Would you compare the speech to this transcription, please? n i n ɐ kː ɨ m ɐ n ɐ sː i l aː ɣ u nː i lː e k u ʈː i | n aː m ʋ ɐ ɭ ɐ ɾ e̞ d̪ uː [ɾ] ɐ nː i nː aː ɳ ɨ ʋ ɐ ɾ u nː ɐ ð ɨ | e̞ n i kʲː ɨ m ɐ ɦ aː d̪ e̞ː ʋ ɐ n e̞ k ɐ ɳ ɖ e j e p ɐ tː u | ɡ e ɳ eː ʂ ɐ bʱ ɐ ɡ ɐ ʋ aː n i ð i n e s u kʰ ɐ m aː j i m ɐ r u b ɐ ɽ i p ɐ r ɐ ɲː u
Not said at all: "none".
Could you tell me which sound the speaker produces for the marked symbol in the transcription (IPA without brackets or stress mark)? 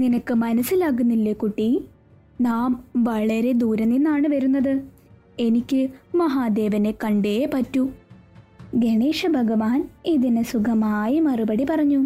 ɾ